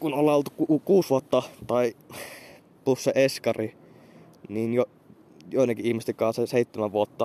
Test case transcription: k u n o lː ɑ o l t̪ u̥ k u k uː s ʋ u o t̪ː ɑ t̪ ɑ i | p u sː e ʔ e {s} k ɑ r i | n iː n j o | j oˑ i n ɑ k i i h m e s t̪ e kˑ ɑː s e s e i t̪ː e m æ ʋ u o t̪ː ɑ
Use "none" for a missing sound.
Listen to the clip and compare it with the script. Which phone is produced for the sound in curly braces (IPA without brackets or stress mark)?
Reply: s